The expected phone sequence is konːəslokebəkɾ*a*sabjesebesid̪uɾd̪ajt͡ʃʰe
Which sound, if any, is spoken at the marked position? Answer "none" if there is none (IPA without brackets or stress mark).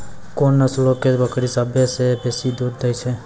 i